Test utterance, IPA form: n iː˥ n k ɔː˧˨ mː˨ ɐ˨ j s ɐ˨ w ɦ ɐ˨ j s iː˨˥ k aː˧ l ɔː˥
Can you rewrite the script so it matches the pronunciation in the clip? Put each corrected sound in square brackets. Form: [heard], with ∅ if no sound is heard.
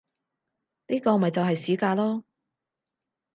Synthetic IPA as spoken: n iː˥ [∅] k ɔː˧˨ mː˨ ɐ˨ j [t͡s] ɐ˨ w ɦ ɐ˨ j s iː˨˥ k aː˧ l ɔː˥